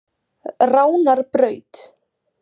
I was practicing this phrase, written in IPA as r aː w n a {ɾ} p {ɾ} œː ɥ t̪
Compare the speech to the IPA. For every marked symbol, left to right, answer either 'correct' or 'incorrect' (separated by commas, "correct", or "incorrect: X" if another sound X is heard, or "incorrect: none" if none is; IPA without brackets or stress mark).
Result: correct, correct